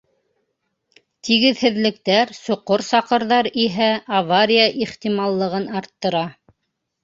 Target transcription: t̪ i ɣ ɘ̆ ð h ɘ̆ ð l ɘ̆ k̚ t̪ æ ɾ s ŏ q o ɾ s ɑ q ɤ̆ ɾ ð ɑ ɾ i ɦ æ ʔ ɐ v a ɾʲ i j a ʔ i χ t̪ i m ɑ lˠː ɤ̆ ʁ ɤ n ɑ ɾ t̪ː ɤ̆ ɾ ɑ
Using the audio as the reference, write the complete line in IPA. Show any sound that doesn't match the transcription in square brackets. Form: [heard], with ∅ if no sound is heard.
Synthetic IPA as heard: t̪ i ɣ ɘ̆ ð h ɘ̆ ð l ɘ̆ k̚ t̪ æ ɾ s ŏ q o ɾ s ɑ q ɤ̆ ɾ ð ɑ ɾ i ɦ æ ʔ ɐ v a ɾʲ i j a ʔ i χ t̪ i m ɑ lˠː ɤ̆ ʁ ɤ n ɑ ɾ t̪ː ɤ̆ ɾ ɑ